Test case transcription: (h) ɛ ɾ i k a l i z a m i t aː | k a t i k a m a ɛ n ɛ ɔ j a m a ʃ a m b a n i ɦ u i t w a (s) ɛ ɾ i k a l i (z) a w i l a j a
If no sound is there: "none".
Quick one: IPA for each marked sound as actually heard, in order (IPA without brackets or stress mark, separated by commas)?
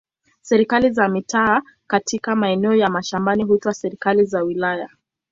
s, s, z